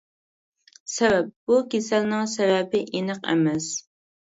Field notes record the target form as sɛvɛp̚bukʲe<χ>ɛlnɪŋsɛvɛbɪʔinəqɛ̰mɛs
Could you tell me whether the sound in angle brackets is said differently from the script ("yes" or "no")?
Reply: yes